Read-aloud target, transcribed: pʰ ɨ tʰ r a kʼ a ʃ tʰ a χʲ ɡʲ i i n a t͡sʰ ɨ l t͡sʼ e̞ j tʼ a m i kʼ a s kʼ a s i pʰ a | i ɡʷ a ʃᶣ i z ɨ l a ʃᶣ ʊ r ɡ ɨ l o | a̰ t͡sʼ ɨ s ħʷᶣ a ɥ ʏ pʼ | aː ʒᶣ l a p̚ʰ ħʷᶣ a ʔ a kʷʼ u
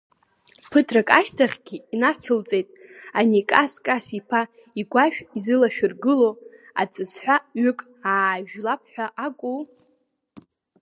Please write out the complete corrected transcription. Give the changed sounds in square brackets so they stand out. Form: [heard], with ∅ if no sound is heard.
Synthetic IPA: pʰ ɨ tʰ r a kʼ a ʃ tʰ a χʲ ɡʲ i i n a t͡sʰ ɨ l t͡sʼ e̞ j tʼ a [n] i kʼ a s kʼ a s i pʰ a | i ɡʷ a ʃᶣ i z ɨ l a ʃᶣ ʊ r ɡ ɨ l o | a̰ t͡sʼ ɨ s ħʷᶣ a ɥ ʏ [kʼ] | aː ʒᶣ l a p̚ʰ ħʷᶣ a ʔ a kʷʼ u